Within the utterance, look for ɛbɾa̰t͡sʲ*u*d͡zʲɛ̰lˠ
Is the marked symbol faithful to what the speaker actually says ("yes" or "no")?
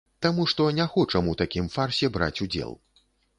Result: yes